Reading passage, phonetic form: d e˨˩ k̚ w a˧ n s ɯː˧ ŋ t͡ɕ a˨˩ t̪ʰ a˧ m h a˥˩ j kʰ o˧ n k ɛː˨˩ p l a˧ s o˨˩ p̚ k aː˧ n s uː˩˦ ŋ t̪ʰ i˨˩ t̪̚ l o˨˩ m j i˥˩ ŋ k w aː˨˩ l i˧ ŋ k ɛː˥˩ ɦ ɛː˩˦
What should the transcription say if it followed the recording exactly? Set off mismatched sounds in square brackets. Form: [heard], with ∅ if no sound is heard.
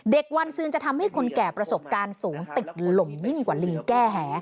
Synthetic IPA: d e˨˩ k̚ w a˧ n s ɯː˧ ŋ t͡ɕ a˨˩ t̪ʰ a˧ m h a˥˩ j kʰ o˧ n k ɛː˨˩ p [ɾ] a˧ s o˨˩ p̚ k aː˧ n s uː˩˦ ŋ [t̪] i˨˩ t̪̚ l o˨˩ m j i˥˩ ŋ k w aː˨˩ l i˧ ŋ k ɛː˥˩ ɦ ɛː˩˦